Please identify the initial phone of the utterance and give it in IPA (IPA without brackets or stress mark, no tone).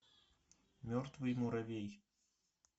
mʲ